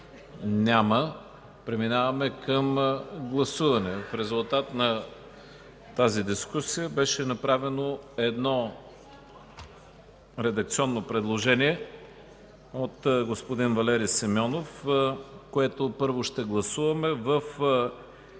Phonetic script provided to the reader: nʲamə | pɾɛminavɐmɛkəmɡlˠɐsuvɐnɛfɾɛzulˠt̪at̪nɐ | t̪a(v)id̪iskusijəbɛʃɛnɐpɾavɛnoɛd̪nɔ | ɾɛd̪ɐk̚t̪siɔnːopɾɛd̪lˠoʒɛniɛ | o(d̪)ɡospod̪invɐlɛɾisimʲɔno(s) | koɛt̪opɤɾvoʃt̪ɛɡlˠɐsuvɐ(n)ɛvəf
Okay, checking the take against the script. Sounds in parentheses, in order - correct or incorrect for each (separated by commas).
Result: incorrect, incorrect, incorrect, incorrect